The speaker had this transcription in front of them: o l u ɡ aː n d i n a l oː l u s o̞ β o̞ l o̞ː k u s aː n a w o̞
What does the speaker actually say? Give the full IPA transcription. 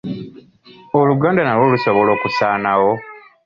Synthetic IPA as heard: o l u ɡ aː n d a n a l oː l u s o̞ β o̞ l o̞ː k u s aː n a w o̞